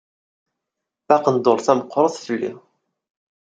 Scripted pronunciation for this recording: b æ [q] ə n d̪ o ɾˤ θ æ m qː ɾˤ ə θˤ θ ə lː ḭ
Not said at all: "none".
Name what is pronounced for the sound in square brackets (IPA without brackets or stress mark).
q